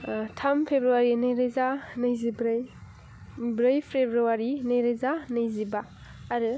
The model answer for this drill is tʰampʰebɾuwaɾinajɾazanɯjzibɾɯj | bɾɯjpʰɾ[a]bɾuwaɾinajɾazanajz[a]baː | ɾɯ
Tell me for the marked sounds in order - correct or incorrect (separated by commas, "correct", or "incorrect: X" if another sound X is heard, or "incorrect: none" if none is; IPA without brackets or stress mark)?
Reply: incorrect: e, incorrect: i